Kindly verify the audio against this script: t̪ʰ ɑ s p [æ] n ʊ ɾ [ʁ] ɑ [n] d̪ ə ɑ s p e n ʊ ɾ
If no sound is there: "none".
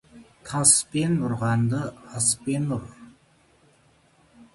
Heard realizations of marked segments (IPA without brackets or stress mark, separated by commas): e, ʁ, n